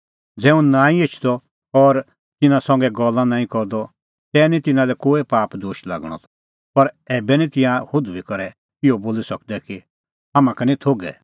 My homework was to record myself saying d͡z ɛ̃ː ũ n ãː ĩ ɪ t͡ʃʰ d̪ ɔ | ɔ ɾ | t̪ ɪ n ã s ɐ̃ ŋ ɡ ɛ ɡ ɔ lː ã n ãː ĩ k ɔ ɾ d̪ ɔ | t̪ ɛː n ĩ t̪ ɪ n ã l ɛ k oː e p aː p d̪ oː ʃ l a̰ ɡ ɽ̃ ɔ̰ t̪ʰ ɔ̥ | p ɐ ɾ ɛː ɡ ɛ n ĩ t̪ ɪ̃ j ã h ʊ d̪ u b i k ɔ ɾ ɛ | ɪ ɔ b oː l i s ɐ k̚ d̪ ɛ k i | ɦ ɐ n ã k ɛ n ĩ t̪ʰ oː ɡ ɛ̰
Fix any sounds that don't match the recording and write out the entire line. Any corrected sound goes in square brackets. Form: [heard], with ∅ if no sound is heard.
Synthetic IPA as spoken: d͡z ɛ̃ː ũ n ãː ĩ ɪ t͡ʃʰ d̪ ɔ | ɔ ɾ | t̪ ɪ n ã s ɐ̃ ŋ ɡ ɛ ɡ ɔ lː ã n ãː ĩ k ɔ ɾ d̪ ɔ | t̪ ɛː n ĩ t̪ ɪ n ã l ɛ k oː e p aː p d̪ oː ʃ l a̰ ɡ ɽ̃ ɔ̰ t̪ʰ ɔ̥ | p ɐ ɾ ɛː [b] ɛ n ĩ t̪ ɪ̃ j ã h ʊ d̪ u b i k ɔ ɾ ɛ | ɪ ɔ b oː l i s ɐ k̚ d̪ ɛ k i | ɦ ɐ [m] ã k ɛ n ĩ t̪ʰ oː ɡ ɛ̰